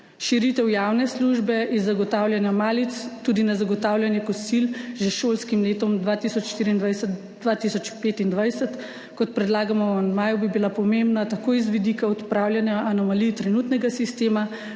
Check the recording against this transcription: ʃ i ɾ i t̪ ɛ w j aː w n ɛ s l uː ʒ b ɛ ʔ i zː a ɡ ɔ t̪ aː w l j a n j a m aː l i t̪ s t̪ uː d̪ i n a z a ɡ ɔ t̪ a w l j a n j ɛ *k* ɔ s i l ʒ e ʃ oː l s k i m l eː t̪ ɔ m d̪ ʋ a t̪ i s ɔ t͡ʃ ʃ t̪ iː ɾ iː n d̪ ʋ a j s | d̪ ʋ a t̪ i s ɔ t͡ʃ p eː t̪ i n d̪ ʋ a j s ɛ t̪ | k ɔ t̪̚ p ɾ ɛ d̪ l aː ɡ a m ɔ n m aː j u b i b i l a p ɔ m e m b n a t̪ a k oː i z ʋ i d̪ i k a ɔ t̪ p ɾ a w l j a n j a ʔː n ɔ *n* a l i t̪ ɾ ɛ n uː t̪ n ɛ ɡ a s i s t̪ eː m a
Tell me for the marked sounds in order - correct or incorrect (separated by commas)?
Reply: correct, incorrect